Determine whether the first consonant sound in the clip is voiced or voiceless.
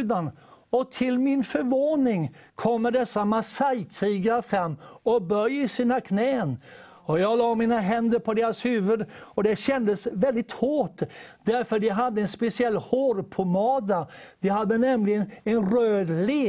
voiced